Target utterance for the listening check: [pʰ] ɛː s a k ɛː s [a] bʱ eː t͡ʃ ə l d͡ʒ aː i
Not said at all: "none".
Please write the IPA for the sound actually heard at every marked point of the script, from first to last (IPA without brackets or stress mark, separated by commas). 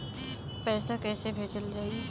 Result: p, e